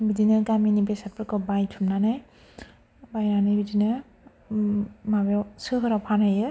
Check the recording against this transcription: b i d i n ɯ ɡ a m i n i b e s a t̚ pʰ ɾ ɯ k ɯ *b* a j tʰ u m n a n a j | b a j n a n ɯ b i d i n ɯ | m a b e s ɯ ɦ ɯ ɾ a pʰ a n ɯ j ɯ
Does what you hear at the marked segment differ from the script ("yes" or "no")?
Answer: no